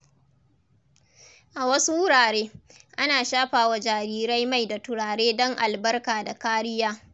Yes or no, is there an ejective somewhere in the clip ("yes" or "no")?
no